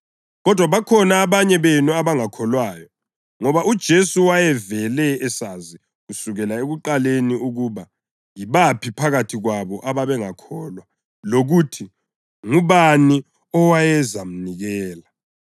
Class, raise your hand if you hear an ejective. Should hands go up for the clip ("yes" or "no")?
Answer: no